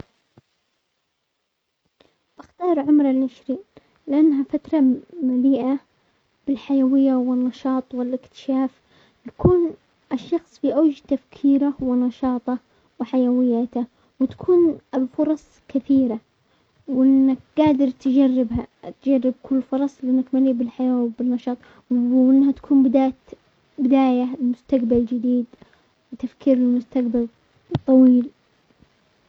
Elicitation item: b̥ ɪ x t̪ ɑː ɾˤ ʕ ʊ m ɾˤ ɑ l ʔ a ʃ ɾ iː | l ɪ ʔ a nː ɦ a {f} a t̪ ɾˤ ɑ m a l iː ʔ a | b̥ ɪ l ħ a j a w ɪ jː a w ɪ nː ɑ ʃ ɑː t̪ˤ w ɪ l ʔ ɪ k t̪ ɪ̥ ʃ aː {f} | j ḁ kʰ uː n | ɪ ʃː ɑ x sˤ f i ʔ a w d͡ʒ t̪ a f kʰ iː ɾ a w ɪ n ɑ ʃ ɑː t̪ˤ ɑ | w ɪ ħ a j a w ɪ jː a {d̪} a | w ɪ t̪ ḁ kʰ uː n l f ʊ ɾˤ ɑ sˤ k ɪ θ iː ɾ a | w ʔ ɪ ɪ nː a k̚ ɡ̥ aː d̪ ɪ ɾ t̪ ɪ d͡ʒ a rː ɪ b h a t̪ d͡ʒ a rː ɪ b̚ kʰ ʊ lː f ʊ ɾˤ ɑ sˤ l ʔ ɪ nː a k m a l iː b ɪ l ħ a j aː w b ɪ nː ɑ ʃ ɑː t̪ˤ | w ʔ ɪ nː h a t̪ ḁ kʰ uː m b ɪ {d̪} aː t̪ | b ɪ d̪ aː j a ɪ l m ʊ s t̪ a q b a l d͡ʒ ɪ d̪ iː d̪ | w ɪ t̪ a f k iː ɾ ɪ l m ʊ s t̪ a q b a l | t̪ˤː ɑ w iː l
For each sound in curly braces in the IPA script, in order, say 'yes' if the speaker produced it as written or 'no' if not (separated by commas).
yes, yes, no, yes